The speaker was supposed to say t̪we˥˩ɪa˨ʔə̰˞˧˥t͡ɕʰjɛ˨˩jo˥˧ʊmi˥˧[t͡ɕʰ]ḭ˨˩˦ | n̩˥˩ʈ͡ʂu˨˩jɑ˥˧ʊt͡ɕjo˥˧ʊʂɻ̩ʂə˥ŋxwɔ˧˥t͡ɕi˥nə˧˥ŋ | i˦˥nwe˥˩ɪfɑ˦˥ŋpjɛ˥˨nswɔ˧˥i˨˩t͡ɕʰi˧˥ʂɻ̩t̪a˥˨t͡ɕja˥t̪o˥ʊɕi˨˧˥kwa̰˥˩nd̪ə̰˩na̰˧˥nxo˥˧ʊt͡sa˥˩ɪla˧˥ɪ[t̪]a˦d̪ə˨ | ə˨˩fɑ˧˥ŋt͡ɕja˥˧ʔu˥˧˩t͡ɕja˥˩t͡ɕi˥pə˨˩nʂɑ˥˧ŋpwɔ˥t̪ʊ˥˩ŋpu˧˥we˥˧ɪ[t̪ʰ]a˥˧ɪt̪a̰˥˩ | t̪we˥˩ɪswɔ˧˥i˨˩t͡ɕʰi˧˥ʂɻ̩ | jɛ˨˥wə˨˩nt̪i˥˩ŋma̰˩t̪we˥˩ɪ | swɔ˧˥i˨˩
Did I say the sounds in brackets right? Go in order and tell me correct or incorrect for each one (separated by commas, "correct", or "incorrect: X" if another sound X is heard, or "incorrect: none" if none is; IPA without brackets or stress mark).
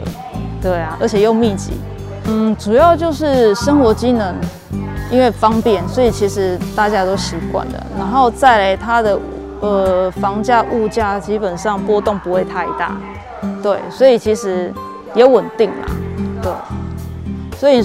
incorrect: t͡ɕ, incorrect: t̪ʰ, correct